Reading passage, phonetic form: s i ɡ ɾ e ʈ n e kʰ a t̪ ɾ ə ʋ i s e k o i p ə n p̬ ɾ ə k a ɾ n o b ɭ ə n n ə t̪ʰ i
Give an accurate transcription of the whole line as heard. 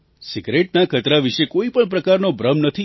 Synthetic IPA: s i ɡ ɾ e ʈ n a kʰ ə t̪ ɾ a ʋ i ʃ e k o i p ə ɳ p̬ ɾ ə k a ɾ n o b ɾ ə m n ə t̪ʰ i